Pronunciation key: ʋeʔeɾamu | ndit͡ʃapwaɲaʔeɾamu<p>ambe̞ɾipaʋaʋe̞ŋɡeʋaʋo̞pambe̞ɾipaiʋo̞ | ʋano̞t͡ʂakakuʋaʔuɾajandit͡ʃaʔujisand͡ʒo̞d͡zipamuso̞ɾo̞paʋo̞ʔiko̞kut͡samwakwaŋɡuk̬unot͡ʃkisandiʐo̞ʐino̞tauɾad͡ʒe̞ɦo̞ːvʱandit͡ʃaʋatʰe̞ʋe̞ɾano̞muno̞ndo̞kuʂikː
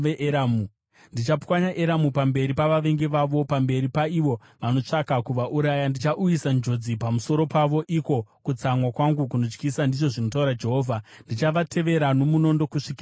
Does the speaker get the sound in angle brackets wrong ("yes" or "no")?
no